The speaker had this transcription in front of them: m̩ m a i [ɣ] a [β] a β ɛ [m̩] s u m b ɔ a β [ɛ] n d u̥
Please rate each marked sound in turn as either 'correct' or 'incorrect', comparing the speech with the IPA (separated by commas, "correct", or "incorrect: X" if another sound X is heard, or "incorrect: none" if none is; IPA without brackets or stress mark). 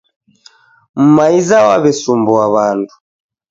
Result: incorrect: z, incorrect: w, incorrect: none, incorrect: a